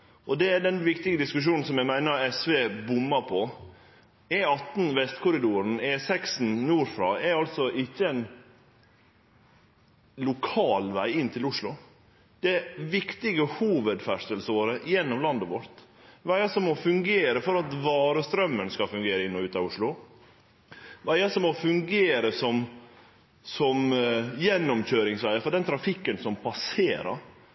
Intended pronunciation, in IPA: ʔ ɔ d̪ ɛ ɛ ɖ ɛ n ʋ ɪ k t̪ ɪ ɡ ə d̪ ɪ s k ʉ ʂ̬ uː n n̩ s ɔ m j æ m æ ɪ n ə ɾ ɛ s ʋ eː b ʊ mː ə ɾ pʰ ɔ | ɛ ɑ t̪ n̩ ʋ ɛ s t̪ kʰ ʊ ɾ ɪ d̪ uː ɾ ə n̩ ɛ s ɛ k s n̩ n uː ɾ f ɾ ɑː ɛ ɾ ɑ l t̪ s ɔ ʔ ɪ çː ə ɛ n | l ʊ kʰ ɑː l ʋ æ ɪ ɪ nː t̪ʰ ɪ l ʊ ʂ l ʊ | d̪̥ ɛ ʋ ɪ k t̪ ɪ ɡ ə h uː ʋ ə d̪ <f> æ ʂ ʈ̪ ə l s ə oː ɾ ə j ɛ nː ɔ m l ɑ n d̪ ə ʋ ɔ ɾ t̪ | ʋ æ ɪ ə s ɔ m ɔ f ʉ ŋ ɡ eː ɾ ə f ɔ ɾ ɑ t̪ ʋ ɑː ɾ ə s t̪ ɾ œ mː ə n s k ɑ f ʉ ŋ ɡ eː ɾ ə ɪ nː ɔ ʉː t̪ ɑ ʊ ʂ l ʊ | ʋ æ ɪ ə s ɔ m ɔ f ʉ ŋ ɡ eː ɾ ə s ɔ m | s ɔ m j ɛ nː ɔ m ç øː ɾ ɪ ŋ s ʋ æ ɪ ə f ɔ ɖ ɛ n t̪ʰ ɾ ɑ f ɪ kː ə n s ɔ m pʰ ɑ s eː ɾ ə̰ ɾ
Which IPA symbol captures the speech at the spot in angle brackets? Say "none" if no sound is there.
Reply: f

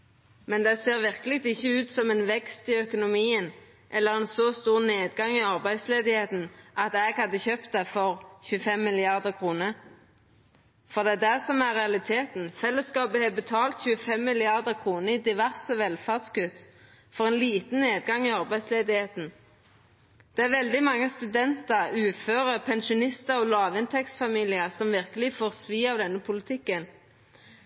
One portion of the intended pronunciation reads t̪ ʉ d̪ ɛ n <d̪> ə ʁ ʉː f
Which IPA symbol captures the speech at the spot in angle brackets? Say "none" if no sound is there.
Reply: t̪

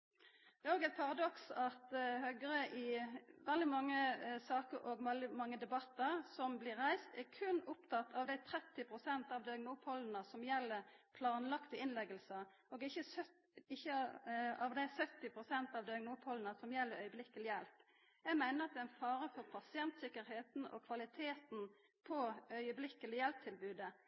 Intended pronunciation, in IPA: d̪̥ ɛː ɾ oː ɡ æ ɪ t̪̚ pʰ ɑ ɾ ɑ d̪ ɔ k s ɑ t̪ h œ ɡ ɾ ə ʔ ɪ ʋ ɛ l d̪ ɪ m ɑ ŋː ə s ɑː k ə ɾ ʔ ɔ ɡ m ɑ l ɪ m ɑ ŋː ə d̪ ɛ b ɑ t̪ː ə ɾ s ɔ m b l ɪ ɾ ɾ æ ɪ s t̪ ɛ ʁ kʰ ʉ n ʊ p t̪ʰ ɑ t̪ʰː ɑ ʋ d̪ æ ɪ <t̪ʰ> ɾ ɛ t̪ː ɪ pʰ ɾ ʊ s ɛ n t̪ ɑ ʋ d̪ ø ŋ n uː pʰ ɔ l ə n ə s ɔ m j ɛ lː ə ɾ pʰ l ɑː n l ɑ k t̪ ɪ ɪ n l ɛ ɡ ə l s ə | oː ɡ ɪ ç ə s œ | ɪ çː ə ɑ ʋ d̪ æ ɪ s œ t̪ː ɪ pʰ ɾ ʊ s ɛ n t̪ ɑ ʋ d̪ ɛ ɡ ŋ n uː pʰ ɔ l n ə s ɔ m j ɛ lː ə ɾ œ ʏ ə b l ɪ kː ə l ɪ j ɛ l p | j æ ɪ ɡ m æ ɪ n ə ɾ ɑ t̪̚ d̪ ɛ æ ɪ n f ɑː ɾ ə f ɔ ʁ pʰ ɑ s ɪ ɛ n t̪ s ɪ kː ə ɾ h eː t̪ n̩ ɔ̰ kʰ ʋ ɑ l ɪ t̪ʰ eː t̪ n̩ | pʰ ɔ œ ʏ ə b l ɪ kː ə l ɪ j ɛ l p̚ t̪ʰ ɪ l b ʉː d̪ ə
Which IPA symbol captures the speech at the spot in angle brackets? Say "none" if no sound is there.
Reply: t̪ʰ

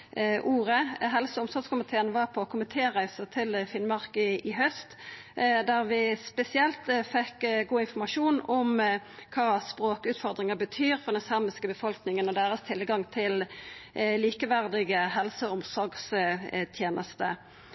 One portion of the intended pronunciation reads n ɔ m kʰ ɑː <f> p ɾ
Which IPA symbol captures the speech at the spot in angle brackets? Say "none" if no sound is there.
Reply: s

